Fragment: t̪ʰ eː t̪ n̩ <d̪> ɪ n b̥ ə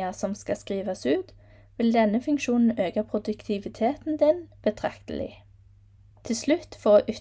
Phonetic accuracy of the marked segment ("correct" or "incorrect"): correct